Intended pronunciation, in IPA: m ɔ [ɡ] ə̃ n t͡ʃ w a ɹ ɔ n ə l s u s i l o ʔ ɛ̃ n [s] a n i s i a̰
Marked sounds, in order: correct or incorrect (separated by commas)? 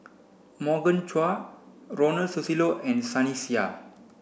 correct, correct